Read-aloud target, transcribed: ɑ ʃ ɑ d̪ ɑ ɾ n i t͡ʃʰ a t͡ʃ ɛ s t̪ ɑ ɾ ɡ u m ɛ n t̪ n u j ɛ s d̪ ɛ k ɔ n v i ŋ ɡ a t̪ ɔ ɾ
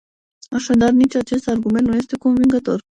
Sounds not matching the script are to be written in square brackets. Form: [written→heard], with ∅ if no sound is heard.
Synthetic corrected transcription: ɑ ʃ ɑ d̪ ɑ ɾ n i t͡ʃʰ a t͡ʃ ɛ s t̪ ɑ ɾ ɡ u m ɛ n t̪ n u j ɛ s [d̪→t̪] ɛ k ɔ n v i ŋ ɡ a t̪ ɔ ɾ